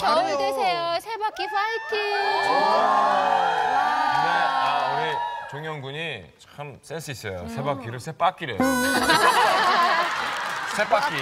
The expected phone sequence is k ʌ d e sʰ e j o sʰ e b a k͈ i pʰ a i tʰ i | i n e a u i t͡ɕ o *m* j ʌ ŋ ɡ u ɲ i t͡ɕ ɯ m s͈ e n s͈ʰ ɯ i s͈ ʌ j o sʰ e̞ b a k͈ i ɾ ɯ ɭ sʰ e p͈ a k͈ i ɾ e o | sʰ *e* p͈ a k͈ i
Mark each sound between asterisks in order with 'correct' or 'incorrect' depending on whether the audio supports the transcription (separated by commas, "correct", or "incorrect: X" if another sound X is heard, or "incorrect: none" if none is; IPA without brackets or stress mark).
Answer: incorrect: ŋ, correct